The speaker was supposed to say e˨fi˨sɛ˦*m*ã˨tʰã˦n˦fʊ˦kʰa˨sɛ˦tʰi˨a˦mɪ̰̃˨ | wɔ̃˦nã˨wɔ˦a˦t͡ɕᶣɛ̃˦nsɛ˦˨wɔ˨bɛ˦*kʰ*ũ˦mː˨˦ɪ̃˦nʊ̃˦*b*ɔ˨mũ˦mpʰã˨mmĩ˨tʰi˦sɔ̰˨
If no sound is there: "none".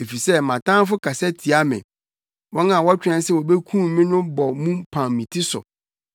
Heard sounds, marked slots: m, kʰ, b

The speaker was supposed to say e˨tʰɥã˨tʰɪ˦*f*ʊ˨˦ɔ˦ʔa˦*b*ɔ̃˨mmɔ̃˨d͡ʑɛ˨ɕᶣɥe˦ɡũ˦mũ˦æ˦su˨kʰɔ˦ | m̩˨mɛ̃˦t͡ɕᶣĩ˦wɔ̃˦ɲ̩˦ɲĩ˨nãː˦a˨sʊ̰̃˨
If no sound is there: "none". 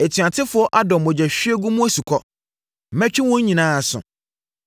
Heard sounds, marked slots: f, d

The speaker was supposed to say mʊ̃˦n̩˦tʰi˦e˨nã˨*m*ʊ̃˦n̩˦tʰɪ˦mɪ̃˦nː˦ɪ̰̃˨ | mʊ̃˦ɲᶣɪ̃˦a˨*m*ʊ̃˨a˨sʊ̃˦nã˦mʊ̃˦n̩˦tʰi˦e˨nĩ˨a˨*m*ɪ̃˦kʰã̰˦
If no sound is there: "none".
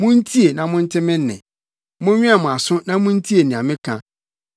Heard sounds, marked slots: m, m, m

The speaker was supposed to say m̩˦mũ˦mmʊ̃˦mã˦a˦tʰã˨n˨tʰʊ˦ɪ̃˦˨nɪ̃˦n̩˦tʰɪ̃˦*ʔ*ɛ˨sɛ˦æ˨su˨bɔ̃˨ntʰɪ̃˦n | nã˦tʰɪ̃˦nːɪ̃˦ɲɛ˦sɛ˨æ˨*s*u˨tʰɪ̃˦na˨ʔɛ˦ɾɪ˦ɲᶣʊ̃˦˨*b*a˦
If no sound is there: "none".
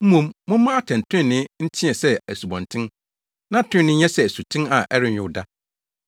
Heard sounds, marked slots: none, s, d

